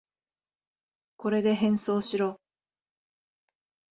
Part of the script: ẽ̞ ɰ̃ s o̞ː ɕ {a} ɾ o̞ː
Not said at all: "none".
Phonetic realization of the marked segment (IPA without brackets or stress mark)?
i